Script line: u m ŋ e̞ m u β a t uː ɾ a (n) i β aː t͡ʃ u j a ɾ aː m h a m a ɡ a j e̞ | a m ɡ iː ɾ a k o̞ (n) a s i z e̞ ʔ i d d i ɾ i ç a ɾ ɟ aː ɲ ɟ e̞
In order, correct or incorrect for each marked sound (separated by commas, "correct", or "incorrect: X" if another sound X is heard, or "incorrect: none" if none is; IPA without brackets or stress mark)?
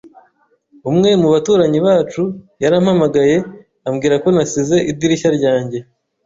incorrect: ɲ, correct